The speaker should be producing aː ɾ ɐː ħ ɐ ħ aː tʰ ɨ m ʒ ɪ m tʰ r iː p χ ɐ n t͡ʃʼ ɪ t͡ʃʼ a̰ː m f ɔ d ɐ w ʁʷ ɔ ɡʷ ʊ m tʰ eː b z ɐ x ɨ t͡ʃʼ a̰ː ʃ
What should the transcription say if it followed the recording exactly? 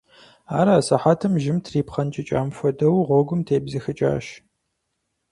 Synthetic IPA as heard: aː ɾ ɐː s ɐ ħ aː tʰ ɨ m ʒ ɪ m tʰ r iː p χ ɐ n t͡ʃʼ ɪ t͡ʃʼ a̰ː m f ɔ d ɐ w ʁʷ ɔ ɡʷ ʊ m tʰ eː b z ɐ x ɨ t͡ʃʼ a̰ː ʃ